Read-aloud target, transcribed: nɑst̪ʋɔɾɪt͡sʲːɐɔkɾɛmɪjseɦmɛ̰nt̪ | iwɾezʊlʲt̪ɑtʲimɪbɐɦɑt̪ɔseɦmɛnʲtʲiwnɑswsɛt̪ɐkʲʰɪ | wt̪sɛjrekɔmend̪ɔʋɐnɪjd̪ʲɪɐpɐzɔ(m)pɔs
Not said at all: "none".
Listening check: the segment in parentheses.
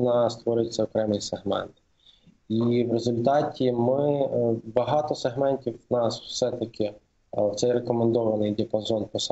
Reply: n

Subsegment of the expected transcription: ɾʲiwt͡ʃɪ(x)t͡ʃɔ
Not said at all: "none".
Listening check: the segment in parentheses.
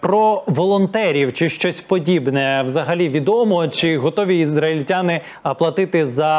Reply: ʃ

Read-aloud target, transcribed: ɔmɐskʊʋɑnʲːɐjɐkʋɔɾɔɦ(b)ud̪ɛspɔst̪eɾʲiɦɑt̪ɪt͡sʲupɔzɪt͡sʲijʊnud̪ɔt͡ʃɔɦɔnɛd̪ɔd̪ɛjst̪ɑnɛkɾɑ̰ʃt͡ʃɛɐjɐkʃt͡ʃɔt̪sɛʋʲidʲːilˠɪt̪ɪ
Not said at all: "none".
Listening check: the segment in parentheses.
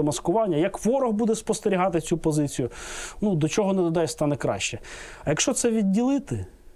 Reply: b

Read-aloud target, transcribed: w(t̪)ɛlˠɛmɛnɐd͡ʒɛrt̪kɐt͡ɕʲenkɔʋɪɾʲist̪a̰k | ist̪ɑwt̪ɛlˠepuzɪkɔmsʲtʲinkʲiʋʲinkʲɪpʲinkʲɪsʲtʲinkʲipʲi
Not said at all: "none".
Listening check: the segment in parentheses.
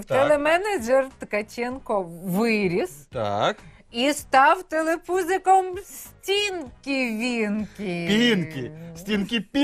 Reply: t̪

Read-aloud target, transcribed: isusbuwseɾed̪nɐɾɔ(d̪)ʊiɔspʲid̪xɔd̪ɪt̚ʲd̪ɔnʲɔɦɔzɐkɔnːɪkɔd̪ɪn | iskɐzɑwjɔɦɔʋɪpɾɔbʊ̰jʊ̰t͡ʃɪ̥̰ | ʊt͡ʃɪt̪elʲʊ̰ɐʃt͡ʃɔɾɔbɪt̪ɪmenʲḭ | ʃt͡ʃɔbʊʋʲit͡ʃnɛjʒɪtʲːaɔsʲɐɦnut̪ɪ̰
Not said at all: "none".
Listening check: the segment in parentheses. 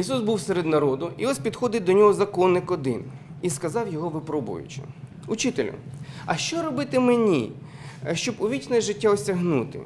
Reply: d̪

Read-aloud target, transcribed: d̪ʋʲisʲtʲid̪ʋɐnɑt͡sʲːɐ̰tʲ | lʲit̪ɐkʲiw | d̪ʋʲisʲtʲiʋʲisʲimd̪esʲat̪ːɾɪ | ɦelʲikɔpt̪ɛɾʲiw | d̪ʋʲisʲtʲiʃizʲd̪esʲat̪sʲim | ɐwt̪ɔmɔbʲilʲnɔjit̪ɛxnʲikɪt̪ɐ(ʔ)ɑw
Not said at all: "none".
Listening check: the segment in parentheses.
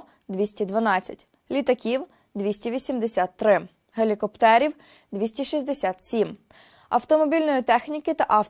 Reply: ʔ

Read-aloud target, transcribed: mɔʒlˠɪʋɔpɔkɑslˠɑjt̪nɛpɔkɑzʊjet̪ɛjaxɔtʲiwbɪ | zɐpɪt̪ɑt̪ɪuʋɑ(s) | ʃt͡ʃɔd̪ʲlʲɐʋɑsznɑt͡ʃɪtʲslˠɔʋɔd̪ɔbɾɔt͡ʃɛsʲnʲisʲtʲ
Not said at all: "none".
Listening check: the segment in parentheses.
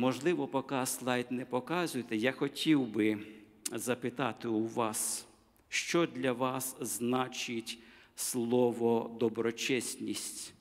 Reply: s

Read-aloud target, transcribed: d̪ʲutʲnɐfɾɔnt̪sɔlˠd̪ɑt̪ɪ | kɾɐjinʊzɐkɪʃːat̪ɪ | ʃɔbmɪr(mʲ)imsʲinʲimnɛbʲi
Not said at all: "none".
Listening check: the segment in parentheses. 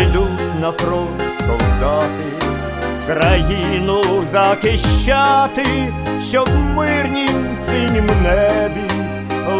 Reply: nʲ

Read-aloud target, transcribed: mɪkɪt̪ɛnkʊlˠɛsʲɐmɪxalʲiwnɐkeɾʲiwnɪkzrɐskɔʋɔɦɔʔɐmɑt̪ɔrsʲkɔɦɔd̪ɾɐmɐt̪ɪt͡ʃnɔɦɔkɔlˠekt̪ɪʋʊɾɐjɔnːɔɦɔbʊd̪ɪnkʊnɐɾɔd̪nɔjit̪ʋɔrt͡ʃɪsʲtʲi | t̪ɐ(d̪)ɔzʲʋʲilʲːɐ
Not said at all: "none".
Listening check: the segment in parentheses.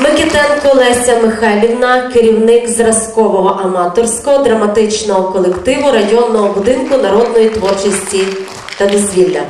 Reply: d̪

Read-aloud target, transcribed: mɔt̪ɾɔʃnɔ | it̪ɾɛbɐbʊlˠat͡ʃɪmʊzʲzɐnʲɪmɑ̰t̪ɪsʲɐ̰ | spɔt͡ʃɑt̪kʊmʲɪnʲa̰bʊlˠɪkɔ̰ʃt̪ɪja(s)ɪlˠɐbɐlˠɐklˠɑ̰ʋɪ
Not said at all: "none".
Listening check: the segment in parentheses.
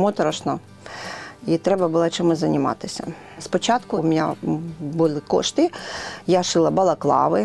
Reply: ʃ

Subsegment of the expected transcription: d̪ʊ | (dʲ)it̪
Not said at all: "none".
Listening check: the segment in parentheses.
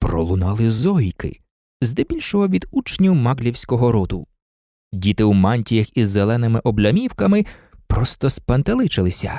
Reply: dʲ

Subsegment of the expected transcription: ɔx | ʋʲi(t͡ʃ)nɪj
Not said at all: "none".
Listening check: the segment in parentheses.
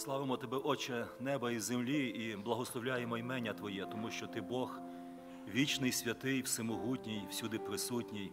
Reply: t͡ʃ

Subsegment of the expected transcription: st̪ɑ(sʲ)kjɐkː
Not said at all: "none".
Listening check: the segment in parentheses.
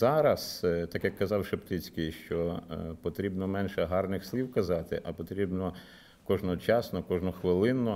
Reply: none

